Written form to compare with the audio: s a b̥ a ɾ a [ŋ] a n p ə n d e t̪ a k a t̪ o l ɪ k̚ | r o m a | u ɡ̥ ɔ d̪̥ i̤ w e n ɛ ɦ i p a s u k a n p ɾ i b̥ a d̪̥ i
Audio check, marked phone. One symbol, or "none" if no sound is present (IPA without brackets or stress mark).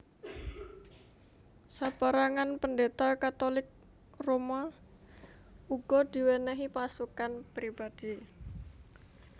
ŋ